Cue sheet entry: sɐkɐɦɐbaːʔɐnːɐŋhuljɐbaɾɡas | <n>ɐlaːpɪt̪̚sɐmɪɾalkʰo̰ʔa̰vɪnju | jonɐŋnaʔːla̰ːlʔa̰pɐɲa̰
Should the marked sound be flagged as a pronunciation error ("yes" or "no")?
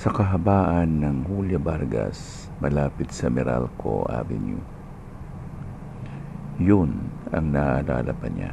yes